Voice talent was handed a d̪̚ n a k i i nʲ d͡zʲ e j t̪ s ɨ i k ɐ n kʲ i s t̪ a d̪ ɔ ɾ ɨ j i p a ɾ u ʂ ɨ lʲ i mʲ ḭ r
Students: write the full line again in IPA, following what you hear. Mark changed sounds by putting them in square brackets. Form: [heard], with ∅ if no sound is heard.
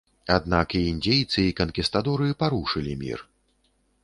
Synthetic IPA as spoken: a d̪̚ n a k i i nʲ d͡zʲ e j t̪ s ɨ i k ɐ n kʲ i s t̪ a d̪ ɔ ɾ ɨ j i p a ɾ u ʂ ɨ lʲ i mʲ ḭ r